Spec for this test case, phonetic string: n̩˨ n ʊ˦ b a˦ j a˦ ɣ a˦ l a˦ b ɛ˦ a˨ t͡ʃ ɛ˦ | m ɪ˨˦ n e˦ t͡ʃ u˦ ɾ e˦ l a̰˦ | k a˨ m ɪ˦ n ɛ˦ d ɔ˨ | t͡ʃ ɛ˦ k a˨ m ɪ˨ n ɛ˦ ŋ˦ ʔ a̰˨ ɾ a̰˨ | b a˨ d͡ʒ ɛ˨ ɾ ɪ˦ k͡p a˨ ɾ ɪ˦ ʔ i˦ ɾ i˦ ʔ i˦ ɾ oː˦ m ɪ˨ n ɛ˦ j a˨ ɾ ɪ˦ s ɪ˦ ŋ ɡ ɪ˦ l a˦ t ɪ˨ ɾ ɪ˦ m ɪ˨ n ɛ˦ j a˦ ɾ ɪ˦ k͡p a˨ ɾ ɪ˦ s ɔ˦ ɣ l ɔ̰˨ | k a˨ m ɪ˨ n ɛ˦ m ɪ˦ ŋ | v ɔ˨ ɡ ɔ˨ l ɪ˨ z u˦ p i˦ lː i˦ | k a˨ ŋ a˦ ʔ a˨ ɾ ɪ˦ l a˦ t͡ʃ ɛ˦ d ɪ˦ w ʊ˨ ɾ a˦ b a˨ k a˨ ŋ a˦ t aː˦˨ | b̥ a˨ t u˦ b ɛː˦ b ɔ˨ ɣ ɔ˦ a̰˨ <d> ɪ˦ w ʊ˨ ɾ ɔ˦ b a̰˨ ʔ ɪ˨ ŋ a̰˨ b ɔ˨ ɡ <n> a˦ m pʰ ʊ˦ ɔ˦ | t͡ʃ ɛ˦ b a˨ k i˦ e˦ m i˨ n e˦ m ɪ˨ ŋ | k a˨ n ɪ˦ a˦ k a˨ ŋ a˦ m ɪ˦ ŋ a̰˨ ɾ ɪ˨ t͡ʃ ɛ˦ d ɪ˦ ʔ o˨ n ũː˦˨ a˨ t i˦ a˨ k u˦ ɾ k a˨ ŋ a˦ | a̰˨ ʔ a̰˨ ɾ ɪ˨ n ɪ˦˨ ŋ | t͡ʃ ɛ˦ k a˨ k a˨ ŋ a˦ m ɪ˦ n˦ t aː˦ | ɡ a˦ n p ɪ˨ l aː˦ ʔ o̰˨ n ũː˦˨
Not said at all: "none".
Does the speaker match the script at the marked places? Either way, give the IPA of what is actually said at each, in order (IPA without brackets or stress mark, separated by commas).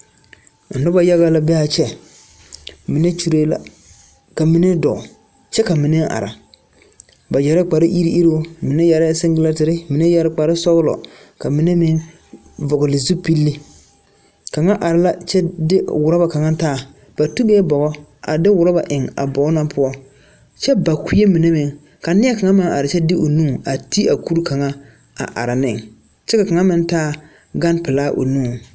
d, n